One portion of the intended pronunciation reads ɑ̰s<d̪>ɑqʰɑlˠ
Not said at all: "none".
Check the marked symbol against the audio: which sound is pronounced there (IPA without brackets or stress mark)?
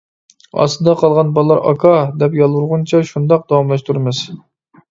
d̪